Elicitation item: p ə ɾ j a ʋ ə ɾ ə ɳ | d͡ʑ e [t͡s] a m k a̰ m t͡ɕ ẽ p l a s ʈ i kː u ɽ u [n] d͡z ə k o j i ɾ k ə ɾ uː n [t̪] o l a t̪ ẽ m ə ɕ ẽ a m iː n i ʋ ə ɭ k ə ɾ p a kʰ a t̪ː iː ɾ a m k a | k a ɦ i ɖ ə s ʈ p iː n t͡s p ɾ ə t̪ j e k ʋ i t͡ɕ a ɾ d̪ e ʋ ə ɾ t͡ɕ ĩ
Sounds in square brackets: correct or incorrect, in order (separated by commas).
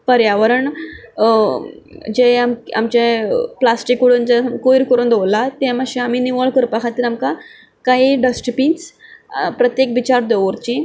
incorrect, correct, incorrect